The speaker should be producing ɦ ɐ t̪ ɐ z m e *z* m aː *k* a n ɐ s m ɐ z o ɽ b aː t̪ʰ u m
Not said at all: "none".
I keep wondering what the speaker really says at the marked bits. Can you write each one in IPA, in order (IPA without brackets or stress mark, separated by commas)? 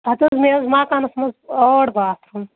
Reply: z, k